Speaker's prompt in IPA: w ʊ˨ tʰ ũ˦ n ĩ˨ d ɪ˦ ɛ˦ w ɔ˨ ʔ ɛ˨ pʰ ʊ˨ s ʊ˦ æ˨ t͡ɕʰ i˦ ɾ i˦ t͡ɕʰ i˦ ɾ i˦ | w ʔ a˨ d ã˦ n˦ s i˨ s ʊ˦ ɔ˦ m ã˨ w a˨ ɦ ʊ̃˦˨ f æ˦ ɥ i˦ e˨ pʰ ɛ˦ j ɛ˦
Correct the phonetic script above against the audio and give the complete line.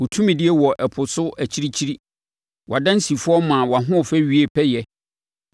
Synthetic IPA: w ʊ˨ tʰ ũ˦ m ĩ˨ d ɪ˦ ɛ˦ w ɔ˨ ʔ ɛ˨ pʰ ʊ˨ s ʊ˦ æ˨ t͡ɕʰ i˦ ɾ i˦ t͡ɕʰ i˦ ɾ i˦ | w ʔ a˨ d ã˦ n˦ s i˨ f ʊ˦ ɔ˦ m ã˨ w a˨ ɦ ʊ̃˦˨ f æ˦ ɥ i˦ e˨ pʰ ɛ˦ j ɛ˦